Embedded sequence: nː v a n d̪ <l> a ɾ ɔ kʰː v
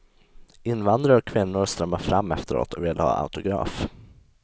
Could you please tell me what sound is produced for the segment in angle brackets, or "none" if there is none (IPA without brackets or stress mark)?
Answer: ɾ